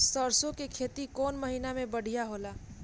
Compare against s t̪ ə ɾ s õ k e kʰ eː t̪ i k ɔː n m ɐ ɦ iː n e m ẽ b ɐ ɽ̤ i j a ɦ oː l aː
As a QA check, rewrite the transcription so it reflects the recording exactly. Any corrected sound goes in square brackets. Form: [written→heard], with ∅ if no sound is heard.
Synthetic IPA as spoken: s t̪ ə ɾ s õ k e kʰ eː t̪ i k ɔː n m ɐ ɦ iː n [e→a] m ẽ b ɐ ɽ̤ i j a ɦ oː l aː